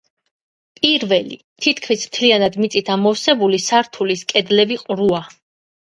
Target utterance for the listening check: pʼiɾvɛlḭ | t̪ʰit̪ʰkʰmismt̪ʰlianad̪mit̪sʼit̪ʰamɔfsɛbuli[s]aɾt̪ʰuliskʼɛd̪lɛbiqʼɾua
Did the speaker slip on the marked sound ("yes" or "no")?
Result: no